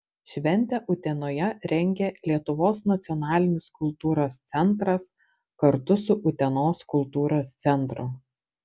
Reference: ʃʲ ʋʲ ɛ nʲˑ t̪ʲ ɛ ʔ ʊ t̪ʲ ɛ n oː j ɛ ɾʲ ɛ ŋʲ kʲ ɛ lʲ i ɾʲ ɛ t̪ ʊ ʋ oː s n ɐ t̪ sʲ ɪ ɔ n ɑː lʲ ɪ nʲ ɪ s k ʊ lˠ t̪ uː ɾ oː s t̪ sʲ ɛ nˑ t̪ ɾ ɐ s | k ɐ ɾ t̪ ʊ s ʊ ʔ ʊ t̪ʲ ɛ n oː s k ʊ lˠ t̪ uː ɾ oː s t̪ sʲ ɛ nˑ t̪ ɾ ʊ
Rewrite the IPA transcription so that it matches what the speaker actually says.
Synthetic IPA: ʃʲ ʋʲ ɛ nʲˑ t̪ʲ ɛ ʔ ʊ t̪ʲ ɛ n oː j ɛ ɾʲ ɛ ŋʲ ɡʲ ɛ lʲ i ɛ t̪ ʊ ʋ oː s n ɐ t̪ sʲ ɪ ɔ n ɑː lʲ ɪ nʲ ɪ s k ʊ lˠ t̪ uː ɾ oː s t̪ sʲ ɛ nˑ t̪ ɾ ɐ s | k ɐ ɾ t̪ ʊ s ʊ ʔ ʊ t̪ʲ ɛ n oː s k ʊ lˠ t̪ uː ɾ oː s t̪ sʲ ɛ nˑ t̪ ɾ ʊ